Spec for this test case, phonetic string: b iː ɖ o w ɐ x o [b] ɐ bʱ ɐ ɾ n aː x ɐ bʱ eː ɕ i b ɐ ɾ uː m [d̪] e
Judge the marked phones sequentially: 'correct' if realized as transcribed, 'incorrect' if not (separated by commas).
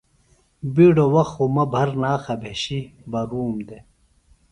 incorrect, correct